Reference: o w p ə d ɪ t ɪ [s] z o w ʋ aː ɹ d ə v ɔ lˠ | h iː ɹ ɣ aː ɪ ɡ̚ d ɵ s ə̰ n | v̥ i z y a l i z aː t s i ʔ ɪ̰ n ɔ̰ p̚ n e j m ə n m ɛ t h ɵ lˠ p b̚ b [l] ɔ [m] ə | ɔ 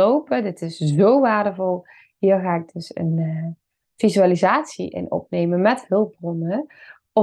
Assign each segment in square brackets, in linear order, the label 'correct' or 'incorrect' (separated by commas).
correct, incorrect, incorrect